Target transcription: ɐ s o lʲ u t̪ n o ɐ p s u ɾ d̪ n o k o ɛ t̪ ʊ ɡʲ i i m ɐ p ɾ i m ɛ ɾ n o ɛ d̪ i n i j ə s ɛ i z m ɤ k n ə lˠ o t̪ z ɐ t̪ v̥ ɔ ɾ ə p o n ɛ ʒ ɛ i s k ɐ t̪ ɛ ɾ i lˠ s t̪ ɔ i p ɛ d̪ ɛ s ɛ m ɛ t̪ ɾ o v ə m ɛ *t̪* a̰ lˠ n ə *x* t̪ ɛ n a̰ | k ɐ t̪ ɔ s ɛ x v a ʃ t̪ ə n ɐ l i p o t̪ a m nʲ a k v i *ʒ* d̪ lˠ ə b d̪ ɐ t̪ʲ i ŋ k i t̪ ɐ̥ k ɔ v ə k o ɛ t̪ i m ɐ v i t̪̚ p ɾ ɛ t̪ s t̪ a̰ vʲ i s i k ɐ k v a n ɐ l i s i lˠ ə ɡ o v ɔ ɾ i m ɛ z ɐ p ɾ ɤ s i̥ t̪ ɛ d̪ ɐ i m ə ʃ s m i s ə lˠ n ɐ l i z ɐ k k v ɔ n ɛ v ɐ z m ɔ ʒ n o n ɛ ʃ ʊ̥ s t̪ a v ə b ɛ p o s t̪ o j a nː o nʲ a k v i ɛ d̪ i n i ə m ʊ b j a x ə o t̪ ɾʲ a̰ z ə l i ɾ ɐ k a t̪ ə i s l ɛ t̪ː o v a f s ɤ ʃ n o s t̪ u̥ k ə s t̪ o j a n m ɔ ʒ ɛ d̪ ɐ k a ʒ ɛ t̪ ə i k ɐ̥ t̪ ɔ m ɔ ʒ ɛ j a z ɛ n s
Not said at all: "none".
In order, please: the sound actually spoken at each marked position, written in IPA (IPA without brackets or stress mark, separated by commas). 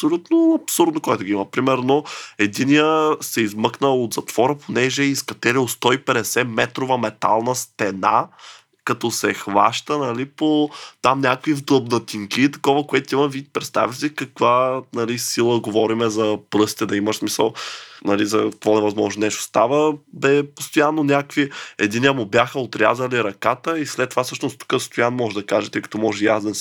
t̪, s, v